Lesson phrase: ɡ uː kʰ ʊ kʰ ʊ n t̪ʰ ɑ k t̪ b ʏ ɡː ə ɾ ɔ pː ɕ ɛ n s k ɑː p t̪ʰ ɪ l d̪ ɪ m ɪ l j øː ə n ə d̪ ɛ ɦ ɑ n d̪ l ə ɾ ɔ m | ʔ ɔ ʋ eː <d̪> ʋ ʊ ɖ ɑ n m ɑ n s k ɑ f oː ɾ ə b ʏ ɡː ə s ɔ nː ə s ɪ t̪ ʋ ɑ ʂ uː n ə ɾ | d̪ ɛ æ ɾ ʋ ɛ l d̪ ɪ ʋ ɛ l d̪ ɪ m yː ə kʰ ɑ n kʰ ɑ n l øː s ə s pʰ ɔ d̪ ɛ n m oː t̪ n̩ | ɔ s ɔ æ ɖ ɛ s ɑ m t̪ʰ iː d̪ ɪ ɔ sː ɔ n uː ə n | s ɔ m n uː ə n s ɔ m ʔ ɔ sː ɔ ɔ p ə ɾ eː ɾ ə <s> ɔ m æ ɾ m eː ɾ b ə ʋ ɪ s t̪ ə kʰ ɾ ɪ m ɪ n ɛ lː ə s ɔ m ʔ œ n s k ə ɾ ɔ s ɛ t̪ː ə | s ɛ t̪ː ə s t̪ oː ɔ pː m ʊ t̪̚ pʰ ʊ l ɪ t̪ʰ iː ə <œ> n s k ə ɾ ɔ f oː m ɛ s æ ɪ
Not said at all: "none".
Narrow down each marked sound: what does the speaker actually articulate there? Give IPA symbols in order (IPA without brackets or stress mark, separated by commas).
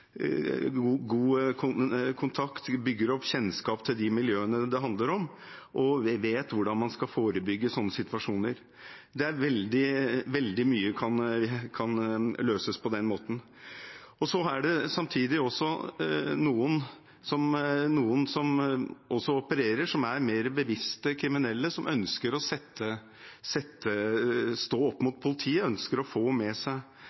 t̪, ʂ, œ